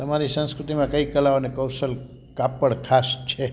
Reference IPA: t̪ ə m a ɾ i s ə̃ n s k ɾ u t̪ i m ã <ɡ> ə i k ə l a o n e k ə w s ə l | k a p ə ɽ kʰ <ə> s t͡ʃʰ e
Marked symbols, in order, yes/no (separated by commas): no, no